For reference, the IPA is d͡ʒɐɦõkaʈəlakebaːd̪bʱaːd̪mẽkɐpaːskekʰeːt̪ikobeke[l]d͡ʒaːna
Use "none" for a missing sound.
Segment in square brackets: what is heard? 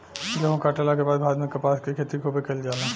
l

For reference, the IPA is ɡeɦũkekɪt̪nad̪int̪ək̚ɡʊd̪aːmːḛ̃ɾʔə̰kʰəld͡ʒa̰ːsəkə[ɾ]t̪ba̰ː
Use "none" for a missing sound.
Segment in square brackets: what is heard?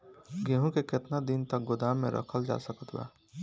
none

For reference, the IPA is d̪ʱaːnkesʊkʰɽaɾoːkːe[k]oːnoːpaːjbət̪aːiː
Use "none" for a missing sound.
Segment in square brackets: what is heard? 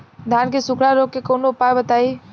k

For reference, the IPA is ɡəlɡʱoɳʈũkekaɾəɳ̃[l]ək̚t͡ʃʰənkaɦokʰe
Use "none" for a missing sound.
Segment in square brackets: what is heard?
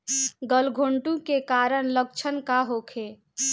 l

